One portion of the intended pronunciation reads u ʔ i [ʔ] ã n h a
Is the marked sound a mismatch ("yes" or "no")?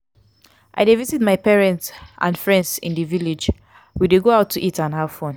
yes